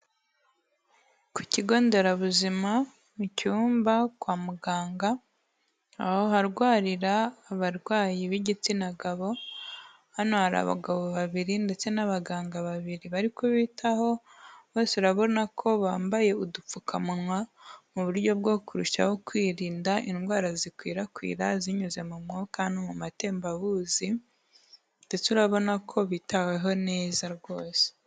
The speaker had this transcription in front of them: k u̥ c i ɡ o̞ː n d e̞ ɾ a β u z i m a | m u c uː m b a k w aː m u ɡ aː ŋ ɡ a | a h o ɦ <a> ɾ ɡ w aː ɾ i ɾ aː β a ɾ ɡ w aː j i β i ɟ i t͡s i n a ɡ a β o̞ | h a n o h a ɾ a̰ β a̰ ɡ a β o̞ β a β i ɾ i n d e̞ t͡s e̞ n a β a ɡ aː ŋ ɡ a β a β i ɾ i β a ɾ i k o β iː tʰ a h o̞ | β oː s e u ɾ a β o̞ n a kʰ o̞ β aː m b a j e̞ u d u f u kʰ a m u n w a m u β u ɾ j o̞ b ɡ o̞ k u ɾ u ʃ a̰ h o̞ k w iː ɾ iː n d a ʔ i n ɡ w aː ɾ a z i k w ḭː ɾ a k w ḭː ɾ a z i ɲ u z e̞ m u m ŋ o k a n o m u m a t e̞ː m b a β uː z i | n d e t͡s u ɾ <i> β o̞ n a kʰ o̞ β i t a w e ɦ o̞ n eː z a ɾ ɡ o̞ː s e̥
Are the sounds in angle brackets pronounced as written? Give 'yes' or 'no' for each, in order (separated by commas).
yes, no